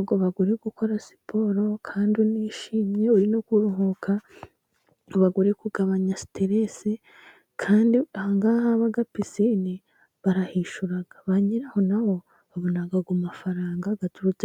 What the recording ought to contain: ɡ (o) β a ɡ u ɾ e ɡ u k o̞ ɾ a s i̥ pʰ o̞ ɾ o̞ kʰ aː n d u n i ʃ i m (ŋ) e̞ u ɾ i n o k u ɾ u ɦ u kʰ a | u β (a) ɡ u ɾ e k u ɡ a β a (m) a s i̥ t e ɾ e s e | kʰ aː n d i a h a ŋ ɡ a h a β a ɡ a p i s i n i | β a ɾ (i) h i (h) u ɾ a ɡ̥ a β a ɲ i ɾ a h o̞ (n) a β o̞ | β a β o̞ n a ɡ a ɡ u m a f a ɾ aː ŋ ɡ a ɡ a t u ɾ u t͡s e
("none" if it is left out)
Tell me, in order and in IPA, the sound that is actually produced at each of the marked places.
o, ɲ, a, ɲ, a, ʃ, n

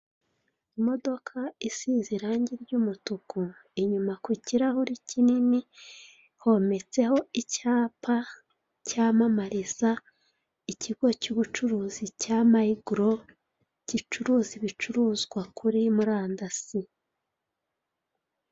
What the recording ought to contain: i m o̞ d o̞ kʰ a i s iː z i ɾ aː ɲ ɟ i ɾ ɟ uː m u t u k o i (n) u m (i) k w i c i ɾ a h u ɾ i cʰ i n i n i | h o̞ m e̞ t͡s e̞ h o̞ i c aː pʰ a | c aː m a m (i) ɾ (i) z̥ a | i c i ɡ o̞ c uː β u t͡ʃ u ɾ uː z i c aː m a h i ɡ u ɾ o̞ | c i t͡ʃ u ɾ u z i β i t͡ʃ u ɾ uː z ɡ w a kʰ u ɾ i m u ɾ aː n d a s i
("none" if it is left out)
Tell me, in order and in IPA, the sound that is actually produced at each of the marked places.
ɲ, a, a, i

